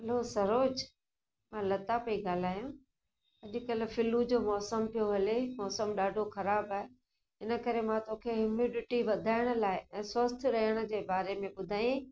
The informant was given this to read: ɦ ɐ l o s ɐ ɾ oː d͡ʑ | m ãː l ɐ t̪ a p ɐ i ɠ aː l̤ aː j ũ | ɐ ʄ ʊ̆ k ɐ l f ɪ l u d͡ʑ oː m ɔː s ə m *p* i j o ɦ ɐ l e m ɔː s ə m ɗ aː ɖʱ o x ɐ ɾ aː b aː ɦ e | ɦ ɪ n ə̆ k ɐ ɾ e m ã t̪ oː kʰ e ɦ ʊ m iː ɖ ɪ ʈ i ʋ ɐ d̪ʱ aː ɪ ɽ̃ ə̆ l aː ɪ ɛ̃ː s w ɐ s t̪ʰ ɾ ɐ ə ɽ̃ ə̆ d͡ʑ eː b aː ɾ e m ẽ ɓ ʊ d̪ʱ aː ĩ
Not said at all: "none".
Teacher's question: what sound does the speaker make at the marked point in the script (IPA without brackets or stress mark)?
p